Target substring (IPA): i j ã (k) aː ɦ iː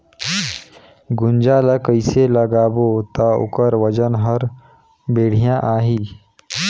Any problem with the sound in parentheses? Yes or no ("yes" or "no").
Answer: yes